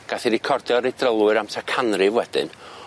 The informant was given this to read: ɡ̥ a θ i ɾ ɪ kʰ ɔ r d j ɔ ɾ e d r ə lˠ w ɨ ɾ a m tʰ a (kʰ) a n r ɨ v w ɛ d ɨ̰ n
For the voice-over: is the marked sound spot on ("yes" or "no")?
yes